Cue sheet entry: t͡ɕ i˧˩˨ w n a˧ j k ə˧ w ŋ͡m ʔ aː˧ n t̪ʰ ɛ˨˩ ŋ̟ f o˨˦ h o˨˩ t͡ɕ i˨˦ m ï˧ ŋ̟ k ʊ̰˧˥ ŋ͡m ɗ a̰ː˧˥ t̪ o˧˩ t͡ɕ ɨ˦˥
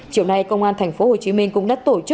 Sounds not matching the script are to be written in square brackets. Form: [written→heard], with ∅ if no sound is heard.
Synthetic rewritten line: t͡ɕ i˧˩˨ w n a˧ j k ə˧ w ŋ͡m ʔ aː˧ n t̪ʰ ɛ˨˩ ŋ̟ f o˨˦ h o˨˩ t͡ɕ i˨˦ m ï˧ ŋ̟ k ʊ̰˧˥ ŋ͡m ɗ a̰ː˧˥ t̪ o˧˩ t͡ɕ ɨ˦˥